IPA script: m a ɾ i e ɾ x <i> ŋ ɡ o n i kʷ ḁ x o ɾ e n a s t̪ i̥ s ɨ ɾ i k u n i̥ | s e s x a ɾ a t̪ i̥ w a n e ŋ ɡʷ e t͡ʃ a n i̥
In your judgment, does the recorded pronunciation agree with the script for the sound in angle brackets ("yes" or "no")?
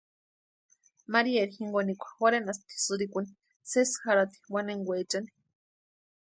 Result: yes